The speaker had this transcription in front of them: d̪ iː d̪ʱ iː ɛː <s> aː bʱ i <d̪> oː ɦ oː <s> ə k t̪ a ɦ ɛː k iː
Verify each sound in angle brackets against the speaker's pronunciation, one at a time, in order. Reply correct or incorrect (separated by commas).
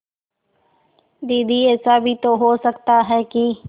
correct, incorrect, correct